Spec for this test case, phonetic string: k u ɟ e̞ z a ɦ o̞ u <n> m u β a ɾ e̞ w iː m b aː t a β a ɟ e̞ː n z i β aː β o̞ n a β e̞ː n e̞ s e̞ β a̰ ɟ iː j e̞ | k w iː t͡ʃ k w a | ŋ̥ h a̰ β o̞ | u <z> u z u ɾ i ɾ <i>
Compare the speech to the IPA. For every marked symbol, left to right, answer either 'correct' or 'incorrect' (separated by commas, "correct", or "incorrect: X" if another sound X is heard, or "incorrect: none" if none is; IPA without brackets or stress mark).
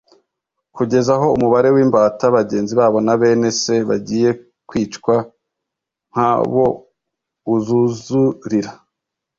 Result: incorrect: none, correct, incorrect: a